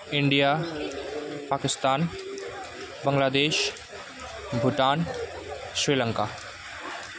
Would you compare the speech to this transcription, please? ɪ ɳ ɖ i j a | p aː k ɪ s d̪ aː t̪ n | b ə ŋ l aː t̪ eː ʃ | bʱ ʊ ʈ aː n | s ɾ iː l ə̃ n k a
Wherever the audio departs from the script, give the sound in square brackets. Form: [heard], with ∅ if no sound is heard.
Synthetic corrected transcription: ɪ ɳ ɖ i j a | p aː k ɪ s [t̪] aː [∅] n | b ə ŋ l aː [d̪] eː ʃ | bʱ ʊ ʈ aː n | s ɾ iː l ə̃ [ŋ] k a